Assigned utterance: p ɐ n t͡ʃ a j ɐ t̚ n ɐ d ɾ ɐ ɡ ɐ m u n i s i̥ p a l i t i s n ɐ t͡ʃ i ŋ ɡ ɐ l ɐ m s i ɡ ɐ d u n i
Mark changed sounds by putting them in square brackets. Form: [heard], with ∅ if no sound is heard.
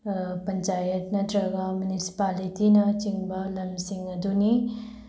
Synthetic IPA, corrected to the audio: p ɐ n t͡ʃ a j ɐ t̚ n ɐ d ɾ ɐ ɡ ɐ m u n i s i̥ p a l i t i [∅] n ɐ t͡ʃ i ŋ [b] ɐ l ɐ m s i [ŋ] ɐ d u n i